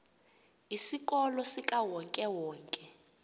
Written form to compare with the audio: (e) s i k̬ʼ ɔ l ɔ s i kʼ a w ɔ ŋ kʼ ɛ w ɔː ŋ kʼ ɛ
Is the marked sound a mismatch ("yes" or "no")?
yes